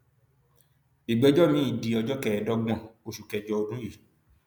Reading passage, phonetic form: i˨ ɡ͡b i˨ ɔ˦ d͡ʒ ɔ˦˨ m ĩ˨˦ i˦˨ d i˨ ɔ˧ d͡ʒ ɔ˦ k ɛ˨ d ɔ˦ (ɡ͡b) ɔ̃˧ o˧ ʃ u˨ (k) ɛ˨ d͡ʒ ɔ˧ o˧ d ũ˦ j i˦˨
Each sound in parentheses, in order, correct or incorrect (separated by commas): correct, correct